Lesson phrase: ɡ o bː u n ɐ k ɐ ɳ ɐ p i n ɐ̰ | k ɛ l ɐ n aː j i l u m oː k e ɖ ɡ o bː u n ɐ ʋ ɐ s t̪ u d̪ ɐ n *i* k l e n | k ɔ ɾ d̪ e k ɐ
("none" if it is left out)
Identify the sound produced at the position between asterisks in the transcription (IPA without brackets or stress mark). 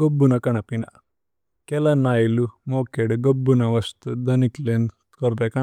i